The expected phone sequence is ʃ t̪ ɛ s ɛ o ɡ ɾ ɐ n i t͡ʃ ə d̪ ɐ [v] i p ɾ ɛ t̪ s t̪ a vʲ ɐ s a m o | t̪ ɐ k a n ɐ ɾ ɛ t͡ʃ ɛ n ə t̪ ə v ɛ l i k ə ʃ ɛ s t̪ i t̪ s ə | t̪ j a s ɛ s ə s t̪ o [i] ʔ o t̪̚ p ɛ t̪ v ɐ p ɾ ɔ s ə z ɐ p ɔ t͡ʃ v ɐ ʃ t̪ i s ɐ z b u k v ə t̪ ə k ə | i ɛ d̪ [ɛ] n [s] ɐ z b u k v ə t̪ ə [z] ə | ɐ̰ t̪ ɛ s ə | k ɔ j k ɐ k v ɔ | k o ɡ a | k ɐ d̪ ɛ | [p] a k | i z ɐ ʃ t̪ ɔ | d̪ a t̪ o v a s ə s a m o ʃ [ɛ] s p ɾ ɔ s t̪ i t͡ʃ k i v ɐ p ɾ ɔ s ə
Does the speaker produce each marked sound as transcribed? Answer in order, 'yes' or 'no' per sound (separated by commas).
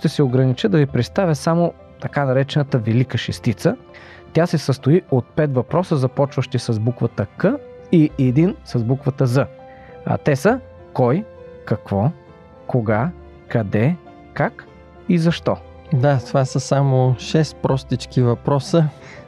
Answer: yes, yes, no, yes, yes, no, yes